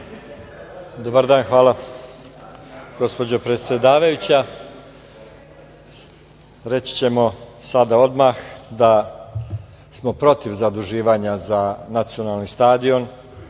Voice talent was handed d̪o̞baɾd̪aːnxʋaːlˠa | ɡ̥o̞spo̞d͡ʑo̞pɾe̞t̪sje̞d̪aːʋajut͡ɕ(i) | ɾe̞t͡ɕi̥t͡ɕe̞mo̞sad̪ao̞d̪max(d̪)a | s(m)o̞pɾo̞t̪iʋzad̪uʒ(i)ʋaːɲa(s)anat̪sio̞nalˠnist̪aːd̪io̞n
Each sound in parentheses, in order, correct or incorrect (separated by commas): incorrect, correct, correct, incorrect, incorrect